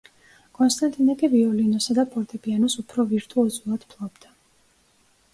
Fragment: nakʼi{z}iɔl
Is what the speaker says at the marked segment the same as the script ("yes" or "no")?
no